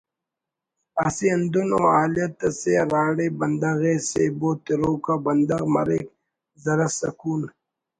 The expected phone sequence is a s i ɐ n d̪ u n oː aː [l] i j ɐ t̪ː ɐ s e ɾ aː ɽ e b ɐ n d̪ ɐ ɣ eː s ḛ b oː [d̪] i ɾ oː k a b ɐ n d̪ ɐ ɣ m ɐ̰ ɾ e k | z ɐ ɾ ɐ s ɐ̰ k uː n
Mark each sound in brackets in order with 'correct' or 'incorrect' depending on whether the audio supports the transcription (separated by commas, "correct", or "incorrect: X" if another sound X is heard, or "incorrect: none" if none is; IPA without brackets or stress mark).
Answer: correct, incorrect: t̪